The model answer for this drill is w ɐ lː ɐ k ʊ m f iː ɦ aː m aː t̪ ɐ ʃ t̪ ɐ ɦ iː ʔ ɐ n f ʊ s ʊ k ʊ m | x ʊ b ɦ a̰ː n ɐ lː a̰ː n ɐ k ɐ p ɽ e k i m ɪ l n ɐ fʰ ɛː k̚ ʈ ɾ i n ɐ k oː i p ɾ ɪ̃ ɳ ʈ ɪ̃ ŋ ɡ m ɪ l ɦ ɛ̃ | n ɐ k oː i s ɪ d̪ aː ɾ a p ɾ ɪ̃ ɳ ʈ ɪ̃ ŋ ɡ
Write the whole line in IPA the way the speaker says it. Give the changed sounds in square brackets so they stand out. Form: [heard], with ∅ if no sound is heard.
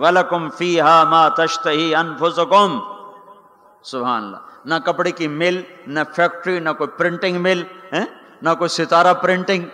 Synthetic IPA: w ɐ [l] ɐ k ʊ m f iː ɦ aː m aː t̪ ɐ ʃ t̪ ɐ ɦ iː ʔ ɐ n f ʊ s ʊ k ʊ m | [s] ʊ b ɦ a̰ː n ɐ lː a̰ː n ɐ k ɐ p ɽ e k i m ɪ l n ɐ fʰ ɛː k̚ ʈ ɾ i n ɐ k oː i p ɾ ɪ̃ ɳ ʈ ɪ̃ ŋ ɡ m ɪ l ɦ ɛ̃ | n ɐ k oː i s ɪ [t̪] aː ɾ a p ɾ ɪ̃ ɳ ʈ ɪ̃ ŋ ɡ